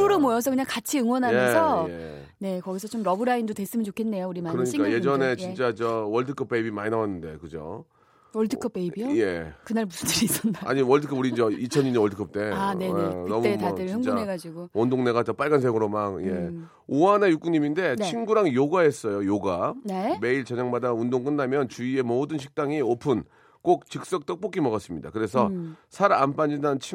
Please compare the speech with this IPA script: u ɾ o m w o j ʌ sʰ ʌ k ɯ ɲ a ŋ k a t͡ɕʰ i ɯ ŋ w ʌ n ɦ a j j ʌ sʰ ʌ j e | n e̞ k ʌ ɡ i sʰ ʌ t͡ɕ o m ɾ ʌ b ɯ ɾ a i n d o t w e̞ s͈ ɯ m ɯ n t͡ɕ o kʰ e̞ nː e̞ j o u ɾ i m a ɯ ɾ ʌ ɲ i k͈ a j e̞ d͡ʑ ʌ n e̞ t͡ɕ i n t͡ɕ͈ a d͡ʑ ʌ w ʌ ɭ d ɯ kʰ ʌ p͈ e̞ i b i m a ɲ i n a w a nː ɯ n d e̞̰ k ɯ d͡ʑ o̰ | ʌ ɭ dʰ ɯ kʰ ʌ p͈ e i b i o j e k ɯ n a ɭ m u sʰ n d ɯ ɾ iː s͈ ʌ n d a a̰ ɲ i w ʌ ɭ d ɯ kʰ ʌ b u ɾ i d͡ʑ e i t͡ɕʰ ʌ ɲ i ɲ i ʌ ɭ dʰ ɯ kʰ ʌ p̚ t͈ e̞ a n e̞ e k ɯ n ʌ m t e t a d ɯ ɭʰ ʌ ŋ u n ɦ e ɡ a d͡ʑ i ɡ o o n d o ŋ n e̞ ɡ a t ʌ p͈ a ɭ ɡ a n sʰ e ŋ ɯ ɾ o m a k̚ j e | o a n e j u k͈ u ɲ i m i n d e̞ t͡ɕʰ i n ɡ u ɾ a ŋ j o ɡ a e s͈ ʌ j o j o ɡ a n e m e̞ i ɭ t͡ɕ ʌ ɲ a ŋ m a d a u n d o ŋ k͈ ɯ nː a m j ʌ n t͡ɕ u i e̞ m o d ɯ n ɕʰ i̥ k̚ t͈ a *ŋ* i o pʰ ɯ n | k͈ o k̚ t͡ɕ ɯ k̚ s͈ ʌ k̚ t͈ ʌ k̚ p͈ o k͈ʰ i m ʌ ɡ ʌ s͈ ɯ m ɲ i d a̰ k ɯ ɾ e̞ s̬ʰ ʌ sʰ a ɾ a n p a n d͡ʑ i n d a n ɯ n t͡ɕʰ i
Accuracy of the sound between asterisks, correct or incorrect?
correct